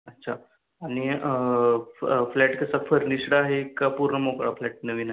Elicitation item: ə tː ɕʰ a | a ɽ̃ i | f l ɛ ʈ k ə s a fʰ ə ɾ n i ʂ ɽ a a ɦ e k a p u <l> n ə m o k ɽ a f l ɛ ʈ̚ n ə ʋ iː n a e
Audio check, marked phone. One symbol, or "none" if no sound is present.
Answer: ɾ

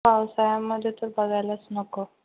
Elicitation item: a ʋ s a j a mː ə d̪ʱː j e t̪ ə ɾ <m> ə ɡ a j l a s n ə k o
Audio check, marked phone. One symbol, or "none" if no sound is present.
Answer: b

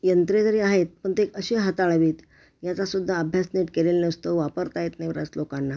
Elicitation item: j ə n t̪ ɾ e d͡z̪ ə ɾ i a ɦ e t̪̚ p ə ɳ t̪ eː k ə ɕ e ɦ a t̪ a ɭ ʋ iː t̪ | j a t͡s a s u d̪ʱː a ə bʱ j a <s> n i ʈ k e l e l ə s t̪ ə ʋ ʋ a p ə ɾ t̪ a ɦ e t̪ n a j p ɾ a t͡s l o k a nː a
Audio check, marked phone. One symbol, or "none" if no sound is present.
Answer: s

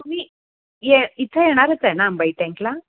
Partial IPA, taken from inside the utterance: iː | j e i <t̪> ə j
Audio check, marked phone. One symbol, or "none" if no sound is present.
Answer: t̪ʰ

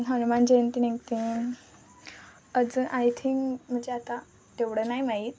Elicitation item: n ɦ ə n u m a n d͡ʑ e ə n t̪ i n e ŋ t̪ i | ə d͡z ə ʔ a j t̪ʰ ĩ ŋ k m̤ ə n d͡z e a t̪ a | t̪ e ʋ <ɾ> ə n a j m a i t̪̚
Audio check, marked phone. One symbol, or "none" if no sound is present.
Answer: ɽ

